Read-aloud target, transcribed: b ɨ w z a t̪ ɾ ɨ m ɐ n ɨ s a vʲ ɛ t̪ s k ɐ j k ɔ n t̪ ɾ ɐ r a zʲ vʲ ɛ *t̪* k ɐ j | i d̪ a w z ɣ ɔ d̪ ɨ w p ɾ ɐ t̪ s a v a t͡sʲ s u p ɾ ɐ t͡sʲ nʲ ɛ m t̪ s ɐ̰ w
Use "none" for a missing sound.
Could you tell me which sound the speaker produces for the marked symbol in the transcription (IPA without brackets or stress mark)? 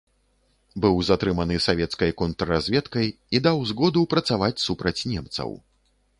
t̪